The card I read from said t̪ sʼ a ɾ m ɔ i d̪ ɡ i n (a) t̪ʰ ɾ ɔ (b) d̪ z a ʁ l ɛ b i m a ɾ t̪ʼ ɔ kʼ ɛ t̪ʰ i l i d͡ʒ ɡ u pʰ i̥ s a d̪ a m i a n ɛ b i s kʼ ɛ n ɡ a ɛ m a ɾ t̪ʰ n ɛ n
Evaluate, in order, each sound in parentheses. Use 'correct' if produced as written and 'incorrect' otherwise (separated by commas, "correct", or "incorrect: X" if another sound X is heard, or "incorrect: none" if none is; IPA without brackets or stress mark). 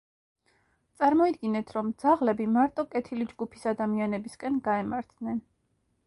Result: incorrect: ɛ, incorrect: m